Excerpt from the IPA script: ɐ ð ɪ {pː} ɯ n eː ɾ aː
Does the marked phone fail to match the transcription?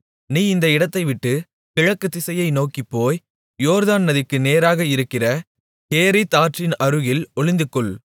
yes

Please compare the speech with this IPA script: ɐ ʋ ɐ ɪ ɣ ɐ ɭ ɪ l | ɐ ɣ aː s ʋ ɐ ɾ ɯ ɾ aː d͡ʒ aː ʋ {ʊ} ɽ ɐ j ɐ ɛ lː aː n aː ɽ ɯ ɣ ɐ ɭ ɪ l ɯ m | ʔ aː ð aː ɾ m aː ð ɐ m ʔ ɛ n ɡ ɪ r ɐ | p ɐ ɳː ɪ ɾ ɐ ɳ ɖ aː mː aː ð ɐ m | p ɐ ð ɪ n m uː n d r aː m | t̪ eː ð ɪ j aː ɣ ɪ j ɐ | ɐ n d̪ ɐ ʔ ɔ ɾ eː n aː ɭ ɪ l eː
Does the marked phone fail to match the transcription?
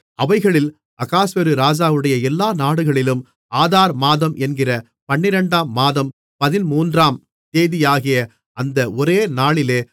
yes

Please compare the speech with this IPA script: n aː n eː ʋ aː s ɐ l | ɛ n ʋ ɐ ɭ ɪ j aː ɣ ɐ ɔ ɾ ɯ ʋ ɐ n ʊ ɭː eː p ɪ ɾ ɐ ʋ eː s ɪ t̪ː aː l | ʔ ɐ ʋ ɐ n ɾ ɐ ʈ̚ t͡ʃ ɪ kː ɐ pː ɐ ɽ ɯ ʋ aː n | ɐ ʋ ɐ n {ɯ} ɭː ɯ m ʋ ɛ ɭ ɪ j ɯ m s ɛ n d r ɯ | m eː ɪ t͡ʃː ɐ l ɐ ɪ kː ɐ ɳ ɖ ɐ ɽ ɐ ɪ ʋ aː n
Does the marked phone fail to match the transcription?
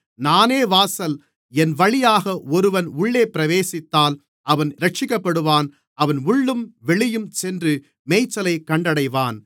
yes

